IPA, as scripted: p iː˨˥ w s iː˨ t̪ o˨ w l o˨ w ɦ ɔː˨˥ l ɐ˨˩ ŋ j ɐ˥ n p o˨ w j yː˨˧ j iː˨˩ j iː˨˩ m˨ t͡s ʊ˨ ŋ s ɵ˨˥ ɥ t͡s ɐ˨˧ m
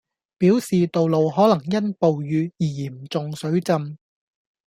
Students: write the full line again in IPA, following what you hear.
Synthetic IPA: p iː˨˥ w s iː˨ t̪ o˨ w l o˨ w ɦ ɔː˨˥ l ɐ˨˩ ŋ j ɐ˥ n p o˨ w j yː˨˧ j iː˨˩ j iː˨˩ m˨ t͡s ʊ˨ ŋ s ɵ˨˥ ɥ t͡s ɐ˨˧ m